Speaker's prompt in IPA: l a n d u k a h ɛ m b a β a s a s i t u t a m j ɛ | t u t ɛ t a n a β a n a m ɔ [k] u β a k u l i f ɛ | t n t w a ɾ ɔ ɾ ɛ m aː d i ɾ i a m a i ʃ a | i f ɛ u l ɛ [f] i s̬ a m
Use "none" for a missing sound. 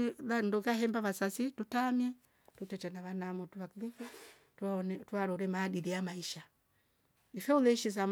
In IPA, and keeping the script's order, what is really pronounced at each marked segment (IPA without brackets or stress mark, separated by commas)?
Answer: t, ʃ